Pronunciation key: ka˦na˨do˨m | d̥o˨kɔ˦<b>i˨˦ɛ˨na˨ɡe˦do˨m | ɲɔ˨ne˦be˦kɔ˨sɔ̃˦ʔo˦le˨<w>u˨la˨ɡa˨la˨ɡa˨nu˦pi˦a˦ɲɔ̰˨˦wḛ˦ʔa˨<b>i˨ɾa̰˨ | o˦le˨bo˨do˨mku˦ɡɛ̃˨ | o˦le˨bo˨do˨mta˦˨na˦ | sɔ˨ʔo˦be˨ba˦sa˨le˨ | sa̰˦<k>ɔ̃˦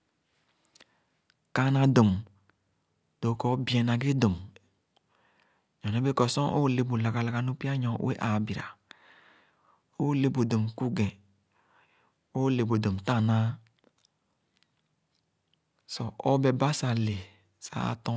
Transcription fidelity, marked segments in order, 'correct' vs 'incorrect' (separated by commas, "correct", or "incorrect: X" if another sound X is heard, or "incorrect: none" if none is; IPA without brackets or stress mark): correct, incorrect: b, correct, incorrect: t